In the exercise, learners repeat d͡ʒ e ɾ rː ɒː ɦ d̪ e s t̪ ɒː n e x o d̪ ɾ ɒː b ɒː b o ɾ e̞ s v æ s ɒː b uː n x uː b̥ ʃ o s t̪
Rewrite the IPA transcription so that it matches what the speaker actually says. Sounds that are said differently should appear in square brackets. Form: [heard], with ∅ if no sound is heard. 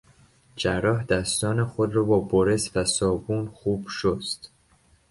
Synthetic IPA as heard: d͡ʒ [æ] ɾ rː ɒː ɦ d̪ [æ] s t̪ ɒː n e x o d̪ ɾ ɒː b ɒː b o ɾ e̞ s v æ s ɒː b uː n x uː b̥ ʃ o s t̪